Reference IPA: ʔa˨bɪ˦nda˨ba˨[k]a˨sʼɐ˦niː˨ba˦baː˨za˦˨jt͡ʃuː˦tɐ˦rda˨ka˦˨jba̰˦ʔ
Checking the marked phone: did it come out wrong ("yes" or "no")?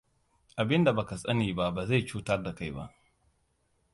no